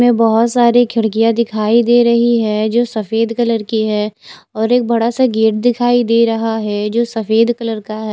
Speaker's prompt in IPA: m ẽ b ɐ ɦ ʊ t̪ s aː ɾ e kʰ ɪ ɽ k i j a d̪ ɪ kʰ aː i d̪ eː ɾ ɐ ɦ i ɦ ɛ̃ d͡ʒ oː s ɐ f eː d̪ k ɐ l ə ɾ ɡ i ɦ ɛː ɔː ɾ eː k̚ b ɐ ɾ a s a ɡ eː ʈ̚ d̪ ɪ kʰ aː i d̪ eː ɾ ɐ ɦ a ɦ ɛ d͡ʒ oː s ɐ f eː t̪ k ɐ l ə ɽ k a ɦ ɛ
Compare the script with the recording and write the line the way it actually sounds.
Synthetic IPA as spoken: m ẽ b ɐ ɦ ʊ t̪ s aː ɾ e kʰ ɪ ɽ k i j a d̪ ɪ kʰ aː i d̪ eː ɾ ɐ ɦ i ɦ ɛ d͡ʒ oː s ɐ f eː d̪ k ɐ l ə ɾ k i ɦ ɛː ɔː ɾ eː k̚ b ɐ ɽ a s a ɡ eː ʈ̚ d̪ ɪ kʰ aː i d̪ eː ɾ ɐ ɦ a ɦ ɛ d͡ʒ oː s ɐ f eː d̪ k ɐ l ə ɾ k a ɦ ɛ